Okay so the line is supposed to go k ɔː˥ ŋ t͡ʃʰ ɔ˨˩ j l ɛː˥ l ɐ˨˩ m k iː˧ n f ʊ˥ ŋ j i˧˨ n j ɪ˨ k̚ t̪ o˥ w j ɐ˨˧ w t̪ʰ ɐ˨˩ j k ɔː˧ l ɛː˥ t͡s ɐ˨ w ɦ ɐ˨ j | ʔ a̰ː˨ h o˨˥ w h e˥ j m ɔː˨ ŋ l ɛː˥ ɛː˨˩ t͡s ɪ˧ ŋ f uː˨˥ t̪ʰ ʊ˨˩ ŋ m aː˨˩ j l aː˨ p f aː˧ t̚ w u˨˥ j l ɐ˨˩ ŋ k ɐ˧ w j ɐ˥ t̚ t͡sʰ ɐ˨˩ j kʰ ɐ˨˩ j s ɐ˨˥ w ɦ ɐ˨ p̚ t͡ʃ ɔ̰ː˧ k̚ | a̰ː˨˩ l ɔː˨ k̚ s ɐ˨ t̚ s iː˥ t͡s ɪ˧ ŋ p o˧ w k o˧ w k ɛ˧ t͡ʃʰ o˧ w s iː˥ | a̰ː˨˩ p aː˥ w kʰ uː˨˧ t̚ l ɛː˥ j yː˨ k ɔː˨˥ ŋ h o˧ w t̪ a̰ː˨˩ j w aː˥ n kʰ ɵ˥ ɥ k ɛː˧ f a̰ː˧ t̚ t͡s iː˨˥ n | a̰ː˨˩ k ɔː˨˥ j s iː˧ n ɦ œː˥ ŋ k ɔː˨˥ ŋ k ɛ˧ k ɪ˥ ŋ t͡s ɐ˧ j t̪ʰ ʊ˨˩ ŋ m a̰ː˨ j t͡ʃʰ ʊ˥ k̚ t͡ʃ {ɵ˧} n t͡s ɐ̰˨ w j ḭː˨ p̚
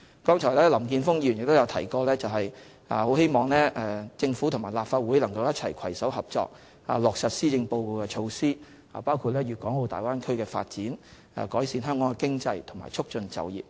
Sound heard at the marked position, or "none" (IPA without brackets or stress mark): ɵ˧